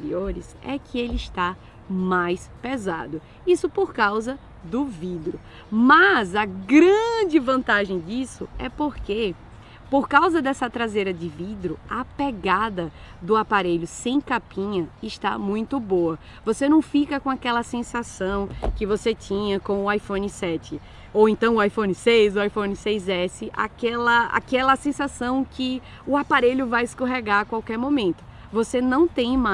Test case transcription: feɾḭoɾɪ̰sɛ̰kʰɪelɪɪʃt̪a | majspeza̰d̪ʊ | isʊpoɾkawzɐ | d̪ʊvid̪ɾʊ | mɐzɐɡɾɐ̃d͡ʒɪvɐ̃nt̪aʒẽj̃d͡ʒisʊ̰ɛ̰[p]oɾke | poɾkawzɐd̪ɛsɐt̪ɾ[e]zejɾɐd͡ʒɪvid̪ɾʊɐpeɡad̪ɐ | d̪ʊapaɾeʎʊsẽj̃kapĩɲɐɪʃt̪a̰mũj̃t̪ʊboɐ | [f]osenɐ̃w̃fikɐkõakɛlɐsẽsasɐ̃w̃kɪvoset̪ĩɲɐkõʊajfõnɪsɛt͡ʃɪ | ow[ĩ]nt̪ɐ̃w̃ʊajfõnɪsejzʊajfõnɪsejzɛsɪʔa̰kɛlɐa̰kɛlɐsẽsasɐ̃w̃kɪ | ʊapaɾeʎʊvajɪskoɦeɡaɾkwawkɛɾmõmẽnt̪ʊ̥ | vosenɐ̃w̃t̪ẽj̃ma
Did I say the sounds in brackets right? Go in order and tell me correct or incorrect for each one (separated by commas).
correct, incorrect, incorrect, incorrect